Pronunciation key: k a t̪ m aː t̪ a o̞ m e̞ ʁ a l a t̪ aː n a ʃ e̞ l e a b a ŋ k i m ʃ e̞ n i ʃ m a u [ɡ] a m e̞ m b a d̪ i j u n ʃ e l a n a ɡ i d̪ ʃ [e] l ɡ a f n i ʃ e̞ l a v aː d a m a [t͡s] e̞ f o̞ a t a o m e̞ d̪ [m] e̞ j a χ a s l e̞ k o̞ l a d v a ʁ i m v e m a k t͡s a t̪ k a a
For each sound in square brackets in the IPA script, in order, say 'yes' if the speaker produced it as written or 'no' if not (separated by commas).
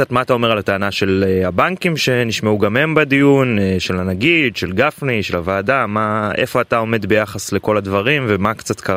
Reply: yes, yes, no, no